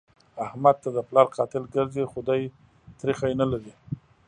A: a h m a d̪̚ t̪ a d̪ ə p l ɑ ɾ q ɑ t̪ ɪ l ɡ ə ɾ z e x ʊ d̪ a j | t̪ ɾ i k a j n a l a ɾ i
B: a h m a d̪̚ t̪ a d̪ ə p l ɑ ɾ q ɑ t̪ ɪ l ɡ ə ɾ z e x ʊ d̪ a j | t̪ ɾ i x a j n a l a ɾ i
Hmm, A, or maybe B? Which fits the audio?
B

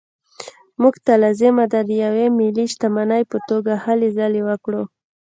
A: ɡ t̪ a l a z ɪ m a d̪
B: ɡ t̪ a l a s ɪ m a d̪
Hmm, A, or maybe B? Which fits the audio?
A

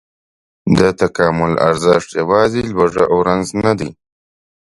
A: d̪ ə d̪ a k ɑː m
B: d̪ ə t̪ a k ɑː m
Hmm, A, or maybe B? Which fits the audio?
B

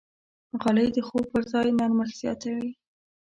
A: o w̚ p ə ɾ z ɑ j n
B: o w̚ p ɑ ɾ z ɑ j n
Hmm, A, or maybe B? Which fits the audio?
A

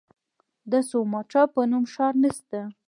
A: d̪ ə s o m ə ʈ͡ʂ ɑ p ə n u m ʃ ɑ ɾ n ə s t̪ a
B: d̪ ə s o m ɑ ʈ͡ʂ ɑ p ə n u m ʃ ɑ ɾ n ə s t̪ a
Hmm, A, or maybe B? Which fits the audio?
B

